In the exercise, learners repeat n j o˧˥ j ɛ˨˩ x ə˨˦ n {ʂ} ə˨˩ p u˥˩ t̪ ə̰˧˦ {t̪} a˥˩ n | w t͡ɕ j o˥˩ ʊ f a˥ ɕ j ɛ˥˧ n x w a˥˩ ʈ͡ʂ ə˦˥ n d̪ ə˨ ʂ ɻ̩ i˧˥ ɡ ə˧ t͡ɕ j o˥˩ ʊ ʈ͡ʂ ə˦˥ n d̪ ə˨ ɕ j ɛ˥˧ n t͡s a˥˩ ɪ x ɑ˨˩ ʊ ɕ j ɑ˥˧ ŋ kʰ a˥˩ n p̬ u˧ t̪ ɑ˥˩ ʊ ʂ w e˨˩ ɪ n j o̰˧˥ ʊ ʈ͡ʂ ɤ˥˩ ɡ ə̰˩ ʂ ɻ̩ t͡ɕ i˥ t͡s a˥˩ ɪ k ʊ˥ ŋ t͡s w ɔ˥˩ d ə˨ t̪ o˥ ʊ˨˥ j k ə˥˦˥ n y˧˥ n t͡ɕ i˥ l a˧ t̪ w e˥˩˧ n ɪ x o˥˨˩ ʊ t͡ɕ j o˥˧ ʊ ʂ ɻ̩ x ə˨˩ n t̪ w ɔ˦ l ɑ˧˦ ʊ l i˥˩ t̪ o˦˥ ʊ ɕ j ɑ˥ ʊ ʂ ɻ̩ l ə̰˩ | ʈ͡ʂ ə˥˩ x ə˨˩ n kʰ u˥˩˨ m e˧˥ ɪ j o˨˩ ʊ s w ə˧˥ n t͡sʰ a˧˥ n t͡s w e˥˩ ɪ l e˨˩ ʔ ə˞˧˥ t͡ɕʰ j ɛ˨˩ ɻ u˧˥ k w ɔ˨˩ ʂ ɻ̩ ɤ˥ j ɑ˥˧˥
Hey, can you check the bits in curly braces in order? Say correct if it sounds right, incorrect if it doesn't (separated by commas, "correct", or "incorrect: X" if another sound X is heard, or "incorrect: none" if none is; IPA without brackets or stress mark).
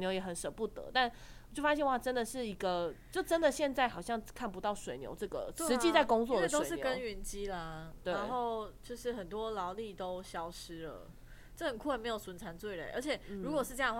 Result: correct, correct